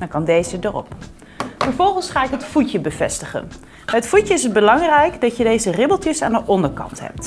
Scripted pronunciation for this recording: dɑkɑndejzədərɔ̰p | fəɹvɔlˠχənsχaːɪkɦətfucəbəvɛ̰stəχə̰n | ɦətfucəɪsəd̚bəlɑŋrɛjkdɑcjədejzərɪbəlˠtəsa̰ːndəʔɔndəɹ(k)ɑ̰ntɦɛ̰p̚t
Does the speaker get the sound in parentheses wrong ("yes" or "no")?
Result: no